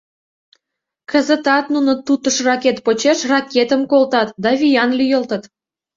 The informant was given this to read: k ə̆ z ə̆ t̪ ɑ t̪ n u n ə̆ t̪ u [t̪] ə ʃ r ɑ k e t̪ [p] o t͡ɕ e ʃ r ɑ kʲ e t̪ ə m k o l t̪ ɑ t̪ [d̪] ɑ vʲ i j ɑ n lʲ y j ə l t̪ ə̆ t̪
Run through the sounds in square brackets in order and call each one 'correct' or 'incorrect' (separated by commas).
correct, correct, correct